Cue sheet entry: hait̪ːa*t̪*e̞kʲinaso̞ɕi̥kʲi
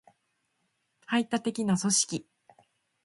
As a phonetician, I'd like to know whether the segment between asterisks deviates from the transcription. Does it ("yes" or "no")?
no